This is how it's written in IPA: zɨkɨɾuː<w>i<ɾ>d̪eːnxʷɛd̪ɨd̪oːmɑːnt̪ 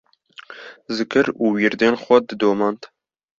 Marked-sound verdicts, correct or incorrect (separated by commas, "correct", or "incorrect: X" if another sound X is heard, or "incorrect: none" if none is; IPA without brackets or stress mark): correct, correct